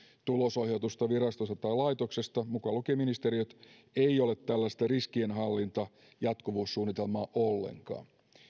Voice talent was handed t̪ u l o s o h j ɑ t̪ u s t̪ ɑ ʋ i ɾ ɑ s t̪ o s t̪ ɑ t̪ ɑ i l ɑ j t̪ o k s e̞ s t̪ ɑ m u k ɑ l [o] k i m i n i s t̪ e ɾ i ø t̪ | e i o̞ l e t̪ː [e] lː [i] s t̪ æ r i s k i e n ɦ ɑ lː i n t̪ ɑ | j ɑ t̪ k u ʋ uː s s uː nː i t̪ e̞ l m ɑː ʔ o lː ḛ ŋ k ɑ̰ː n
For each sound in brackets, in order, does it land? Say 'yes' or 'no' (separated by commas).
no, no, no